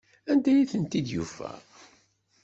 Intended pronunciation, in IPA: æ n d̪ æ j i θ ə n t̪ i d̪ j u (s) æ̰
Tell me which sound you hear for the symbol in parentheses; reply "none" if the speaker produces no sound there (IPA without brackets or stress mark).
f